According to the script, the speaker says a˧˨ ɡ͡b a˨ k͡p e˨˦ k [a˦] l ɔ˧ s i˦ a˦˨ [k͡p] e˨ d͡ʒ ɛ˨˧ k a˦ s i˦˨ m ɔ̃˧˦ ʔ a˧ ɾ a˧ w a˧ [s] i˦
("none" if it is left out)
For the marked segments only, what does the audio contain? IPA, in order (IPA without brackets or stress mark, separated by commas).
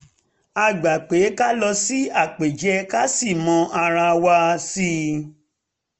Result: a˦, k͡p, s